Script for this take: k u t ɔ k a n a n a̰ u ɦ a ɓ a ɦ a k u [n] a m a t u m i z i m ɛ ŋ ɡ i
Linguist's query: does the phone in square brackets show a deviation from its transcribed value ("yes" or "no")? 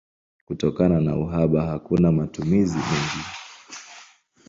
no